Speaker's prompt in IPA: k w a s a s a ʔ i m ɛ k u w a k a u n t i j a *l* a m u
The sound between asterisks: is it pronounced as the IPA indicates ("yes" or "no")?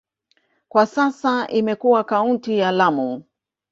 yes